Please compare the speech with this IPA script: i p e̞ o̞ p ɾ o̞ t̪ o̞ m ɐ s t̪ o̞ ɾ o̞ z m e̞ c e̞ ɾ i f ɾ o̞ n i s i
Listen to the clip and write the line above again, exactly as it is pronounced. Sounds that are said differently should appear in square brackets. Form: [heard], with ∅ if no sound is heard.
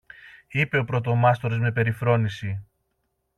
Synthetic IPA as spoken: i p e̞ o̞ p ɾ o̞ t̪ o̞ m ɐ s t̪ o̞ ɾ o̞ z m e̞ [p] e̞ ɾ i f ɾ o̞ n i s i